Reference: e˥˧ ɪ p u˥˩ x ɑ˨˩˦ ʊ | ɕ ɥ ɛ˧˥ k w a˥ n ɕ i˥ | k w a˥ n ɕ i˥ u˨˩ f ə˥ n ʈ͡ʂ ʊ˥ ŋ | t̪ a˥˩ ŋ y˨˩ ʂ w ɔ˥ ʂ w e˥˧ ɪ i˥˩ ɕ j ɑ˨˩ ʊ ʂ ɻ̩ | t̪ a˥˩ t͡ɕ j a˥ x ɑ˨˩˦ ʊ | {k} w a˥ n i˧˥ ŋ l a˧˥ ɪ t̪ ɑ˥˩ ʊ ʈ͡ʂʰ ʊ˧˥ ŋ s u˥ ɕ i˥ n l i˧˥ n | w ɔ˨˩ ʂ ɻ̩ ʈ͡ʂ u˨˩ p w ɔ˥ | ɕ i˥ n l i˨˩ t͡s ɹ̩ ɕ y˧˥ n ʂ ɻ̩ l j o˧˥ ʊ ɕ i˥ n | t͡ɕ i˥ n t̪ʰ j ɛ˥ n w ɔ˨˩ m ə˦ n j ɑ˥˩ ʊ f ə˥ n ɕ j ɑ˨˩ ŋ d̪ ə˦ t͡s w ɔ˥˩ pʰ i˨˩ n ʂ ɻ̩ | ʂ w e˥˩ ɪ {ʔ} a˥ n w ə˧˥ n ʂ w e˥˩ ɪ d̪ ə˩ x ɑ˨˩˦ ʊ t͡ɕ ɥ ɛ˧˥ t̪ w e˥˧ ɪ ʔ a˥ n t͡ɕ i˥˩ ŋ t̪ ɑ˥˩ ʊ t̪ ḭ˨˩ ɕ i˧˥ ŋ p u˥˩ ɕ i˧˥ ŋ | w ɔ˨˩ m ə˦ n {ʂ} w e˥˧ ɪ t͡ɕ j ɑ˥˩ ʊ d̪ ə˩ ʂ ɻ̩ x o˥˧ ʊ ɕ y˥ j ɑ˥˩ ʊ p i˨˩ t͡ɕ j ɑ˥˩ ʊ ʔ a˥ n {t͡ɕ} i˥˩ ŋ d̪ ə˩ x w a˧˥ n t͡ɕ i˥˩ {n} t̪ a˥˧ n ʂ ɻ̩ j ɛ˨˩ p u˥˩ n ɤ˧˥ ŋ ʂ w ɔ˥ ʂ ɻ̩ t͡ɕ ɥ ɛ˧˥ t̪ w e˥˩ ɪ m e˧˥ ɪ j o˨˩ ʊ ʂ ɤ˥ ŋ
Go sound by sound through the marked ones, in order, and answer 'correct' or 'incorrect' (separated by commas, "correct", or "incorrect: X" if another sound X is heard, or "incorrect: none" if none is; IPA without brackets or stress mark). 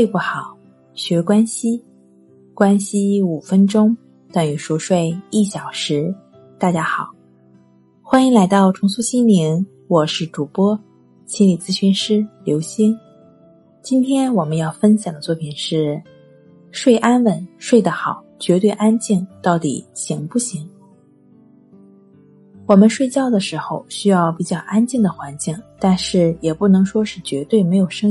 incorrect: x, correct, correct, correct, incorrect: ŋ